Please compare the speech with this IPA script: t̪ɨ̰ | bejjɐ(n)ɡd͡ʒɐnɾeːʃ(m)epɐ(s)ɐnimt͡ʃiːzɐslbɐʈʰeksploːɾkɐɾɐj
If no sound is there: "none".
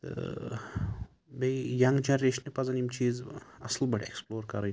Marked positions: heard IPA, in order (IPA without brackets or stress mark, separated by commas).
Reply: ŋ, n, z